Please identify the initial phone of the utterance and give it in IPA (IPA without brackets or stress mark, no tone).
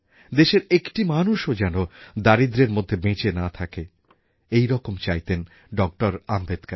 d̪